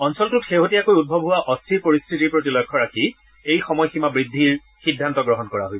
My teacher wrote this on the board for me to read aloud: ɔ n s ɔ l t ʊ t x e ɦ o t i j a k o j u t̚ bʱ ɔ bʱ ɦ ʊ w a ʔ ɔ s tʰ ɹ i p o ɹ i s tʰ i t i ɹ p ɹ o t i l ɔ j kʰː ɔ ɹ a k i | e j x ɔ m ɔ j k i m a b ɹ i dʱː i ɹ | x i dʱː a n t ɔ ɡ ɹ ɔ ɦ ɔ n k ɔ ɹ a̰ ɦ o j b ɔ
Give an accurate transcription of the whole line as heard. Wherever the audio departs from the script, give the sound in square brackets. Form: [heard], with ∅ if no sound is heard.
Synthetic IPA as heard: ɔ n s ɔ l t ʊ t x e ɦ o t i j a k o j u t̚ bʱ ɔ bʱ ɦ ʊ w a ʔ ɔ s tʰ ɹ i p o ɹ i s tʰ i t i ɹ p ɹ o t i l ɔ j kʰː ɔ ɹ a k i | e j x ɔ m ɔ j [x] i m a b ɹ i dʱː i ɹ | x i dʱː a n t ɔ ɡ ɹ ɔ ɦ ɔ n k ɔ ɹ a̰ ɦ o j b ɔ

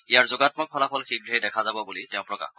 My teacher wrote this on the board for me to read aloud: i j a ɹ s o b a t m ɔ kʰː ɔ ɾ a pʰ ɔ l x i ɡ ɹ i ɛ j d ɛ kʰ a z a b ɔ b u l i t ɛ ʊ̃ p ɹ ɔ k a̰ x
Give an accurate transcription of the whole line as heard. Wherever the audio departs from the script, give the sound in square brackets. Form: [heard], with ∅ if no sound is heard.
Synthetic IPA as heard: i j a ɹ [z] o [ɡ] a t m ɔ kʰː ɔ [l] a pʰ ɔ l x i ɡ ɹ i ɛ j d ɛ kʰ a z a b ɔ b u l i t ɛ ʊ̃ p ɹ ɔ k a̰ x

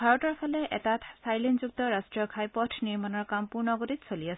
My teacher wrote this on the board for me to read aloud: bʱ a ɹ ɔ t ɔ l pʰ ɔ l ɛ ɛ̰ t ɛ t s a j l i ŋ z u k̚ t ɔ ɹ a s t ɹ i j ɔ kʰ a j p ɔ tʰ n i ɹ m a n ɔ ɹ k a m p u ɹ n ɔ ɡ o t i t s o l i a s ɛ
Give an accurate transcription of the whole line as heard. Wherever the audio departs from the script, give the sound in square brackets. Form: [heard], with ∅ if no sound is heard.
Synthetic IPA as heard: bʱ a ɹ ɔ t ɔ [ɹ] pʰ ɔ l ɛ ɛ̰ t [a] t s a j l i [n] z u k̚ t ɔ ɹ a s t ɹ i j ɔ kʰ a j p ɔ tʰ n i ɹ m a n ɔ ɹ k a m p u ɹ n ɔ ɡ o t i t s o l i a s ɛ

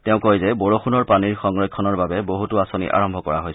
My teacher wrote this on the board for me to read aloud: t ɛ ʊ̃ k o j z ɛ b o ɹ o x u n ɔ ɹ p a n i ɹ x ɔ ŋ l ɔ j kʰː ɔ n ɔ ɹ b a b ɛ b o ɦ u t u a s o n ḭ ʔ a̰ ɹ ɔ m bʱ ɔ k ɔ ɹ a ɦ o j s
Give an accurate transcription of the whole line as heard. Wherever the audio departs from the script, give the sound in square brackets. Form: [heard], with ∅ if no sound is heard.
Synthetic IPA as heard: t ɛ ʊ̃ k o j z ɛ b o ɹ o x u n ɔ ɹ p a n i ɹ x ɔ ŋ [ɹ] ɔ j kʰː ɔ n ɔ ɹ b a b ɛ b o ɦ u t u a s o n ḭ ʔ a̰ ɹ ɔ m bʱ ɔ k ɔ ɹ a ɦ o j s

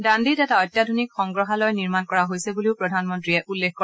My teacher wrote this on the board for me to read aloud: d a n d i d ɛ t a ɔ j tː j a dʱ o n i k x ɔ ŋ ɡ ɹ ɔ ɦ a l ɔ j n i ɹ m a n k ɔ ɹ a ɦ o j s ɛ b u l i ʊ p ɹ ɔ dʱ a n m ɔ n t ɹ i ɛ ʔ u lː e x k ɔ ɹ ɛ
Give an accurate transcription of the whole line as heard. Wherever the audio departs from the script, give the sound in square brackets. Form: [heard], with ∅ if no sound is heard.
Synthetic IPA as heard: d a n d i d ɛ t a ɔ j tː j a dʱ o n i k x ɔ ŋ ɡ ɹ ɔ ɦ a l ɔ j n i ɹ m a n k ɔ ɹ a ɦ o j s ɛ b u l i ʊ p ɹ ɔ dʱ a n m ɔ n t ɹ i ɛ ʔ u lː e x k ɔ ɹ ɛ

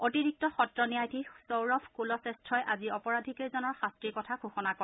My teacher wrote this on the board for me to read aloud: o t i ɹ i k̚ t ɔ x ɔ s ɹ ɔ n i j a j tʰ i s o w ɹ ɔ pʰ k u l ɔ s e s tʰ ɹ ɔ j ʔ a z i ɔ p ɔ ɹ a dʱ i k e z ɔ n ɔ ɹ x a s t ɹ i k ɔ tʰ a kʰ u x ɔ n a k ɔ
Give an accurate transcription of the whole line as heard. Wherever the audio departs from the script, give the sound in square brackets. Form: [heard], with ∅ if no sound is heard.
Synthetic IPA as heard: o t i ɹ i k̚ t ɔ x ɔ [t] ɹ ɔ n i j a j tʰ i s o w ɹ ɔ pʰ k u l ɔ s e s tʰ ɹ ɔ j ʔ a z i ɔ p ɔ ɹ a dʱ i k e z ɔ n ɔ ɹ x a s t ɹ i k ɔ tʰ a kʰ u x ɔ n a k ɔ

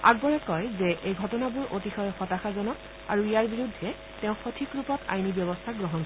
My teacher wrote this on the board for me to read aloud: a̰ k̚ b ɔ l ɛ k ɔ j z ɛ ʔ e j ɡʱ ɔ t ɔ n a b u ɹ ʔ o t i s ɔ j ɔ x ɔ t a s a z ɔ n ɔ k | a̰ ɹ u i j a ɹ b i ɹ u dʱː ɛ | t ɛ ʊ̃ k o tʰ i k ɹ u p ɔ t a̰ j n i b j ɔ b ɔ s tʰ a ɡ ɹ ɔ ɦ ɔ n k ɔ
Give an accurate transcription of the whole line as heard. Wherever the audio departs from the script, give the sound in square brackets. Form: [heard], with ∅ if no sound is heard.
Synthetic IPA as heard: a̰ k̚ b ɔ [ɹ] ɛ k ɔ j z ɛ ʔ e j ɡʱ ɔ t ɔ n a b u ɹ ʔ o t i [x] ɔ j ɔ x ɔ t a [x] a z ɔ n ɔ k | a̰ ɹ u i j a ɹ b i ɹ u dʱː ɛ | t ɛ ʊ̃ [x] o tʰ i k ɹ u p ɔ t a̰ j n i b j ɔ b ɔ s tʰ a ɡ ɹ ɔ ɦ ɔ n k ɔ

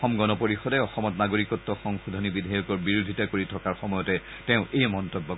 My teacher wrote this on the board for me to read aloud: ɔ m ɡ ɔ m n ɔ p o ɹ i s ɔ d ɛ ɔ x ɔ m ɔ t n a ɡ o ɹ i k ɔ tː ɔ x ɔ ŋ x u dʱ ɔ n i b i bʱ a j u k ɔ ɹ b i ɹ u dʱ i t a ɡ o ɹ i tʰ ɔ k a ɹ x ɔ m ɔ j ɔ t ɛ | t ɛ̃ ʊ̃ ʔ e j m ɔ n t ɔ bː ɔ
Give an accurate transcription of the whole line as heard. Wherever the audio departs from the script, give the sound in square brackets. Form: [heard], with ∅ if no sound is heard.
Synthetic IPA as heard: ɔ m ɡ ɔ [∅] n ɔ p o ɹ i [x] ɔ d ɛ ɔ x ɔ m ɔ t n a ɡ o ɹ i k ɔ tː ɔ x ɔ ŋ x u dʱ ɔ n i b i [dʱ] a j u k ɔ ɹ b i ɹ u dʱ i t a [k] o ɹ i tʰ ɔ k a ɹ x ɔ m ɔ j ɔ t ɛ | t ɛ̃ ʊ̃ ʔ e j m ɔ n t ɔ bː ɔ

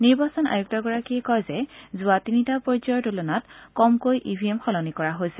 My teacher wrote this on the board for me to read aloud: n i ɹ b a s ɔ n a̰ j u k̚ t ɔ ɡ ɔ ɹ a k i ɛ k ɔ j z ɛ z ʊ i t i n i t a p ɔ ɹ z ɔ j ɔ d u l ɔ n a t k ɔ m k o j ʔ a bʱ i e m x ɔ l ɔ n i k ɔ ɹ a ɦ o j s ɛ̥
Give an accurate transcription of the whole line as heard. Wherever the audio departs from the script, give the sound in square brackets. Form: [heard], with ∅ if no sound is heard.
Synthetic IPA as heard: n i ɹ b a s ɔ n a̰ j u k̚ t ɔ ɡ ɔ ɹ a k i ɛ k ɔ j z ɛ z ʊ [a] t i n i t a p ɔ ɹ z ɔ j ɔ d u l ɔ n a t k ɔ m k o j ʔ [i] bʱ i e m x ɔ l ɔ n i k ɔ ɹ a ɦ o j s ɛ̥

